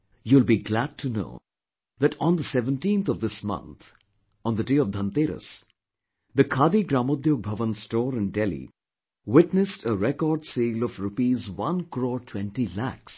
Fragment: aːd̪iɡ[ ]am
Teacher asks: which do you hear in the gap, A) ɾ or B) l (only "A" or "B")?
A